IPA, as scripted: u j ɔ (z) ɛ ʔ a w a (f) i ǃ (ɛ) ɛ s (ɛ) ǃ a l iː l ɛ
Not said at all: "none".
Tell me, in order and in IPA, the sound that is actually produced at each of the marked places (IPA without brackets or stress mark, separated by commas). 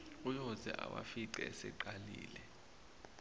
z, f, ɛ, ɛ